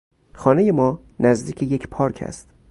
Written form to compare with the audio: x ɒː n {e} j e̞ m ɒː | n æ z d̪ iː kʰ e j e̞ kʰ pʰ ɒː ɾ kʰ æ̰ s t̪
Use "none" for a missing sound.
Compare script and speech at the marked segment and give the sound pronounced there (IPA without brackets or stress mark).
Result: e